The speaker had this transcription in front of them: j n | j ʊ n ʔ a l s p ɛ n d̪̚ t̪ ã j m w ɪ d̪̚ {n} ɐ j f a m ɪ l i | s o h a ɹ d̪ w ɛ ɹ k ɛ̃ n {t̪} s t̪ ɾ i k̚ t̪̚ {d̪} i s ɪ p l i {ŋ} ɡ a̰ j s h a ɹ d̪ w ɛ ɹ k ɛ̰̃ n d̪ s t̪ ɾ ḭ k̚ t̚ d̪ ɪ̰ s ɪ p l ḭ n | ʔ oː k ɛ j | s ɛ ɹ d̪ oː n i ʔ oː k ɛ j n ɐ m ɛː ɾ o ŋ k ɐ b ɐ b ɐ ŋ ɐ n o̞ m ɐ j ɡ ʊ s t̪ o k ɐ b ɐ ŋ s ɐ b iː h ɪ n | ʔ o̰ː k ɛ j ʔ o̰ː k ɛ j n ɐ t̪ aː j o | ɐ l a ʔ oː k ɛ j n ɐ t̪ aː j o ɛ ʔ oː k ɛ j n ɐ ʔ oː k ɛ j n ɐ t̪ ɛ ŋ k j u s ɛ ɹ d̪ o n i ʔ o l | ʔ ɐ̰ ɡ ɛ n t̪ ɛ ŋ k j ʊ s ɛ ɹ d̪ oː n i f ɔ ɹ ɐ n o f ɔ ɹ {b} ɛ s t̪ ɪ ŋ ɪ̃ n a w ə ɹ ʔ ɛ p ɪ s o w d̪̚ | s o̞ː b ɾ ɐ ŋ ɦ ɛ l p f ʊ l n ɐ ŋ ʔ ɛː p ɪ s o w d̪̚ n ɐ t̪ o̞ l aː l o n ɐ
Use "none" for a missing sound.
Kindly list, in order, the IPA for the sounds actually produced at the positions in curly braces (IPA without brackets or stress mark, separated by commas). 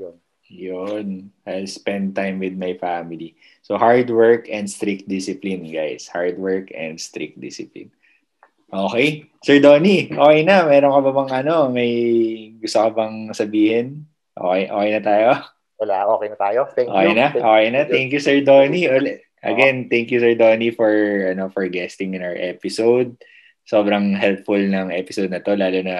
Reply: m, d̪, d̪, n, ɡ